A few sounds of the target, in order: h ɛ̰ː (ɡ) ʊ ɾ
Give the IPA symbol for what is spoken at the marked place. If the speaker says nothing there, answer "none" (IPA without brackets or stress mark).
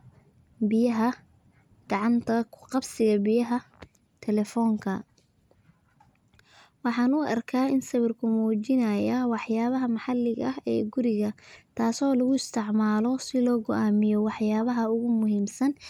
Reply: ɡ